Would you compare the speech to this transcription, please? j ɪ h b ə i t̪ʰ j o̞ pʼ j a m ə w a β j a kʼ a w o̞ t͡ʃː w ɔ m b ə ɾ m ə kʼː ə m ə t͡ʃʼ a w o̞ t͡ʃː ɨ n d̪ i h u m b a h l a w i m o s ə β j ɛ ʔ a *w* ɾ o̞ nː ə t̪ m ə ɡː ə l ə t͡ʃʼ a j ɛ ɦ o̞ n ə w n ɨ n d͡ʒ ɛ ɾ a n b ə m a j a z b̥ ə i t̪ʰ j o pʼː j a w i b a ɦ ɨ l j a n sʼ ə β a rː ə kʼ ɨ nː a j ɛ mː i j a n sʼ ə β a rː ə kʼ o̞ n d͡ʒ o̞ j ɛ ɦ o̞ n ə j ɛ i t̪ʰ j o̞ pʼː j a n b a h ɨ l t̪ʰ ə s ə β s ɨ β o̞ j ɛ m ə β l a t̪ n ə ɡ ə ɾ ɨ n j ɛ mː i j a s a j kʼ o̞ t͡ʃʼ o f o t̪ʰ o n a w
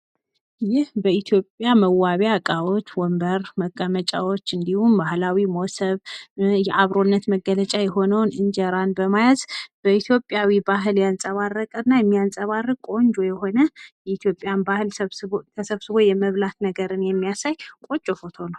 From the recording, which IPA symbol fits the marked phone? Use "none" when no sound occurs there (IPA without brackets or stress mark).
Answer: β